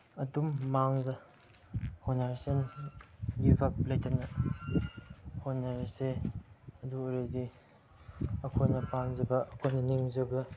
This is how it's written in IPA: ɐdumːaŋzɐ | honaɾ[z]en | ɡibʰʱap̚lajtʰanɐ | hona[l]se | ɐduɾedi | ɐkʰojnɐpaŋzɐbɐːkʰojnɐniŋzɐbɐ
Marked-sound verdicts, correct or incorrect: incorrect, incorrect

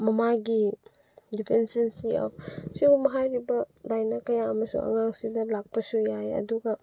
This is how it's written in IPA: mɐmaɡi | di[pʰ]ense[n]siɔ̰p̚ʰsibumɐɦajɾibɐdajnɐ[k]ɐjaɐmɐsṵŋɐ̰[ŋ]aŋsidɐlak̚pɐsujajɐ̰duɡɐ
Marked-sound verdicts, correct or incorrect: correct, correct, correct, correct

